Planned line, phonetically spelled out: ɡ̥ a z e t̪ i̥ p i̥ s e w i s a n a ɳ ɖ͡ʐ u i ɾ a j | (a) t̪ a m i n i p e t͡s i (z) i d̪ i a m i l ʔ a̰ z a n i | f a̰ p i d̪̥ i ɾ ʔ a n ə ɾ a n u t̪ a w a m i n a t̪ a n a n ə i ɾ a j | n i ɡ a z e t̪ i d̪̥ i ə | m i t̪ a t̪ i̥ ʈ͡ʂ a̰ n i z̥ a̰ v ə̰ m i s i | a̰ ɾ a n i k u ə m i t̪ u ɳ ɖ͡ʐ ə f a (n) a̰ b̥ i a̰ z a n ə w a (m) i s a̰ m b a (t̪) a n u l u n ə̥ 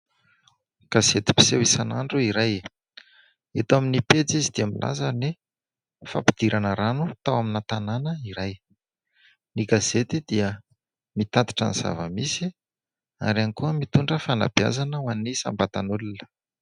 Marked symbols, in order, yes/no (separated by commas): no, yes, yes, no, yes